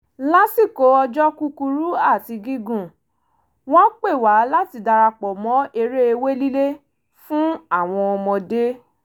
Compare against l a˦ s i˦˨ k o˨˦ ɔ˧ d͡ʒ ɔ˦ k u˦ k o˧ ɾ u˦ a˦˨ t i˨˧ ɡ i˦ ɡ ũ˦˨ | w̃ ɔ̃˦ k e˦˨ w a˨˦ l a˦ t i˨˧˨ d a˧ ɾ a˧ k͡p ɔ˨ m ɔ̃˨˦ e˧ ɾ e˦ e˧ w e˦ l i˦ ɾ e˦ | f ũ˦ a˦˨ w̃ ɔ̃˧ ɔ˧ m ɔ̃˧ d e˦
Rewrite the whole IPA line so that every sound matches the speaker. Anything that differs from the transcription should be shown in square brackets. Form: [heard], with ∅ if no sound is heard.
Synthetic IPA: l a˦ s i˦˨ k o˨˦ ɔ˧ d͡ʒ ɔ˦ k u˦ k [u˧] ɾ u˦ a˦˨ t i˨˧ ɡ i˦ ɡ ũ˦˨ | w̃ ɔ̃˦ [k͡p] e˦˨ w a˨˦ l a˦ t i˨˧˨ d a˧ ɾ a˧ k͡p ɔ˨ m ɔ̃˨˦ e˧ ɾ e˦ e˧ w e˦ l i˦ [l] e˦ | f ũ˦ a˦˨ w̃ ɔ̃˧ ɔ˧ m ɔ̃˧ d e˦